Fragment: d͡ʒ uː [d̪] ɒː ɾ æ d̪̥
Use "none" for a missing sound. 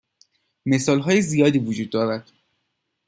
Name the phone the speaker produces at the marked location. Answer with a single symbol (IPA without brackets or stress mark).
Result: d̪ː